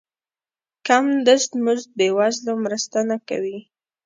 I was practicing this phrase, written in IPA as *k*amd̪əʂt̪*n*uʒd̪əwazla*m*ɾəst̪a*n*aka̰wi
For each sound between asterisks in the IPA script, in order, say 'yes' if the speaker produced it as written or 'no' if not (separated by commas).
yes, no, yes, yes